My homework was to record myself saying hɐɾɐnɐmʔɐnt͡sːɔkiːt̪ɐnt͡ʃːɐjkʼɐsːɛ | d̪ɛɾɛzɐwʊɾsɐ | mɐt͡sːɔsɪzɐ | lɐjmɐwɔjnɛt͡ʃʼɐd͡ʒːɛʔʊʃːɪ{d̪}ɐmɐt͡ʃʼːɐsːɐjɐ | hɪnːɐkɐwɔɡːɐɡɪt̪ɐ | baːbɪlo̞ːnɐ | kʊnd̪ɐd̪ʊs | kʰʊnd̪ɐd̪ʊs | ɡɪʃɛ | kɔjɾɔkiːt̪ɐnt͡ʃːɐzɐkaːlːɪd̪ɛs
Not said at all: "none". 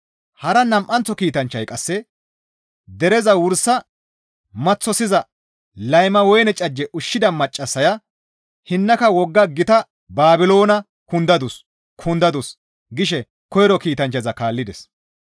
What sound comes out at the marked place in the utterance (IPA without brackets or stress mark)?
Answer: d̪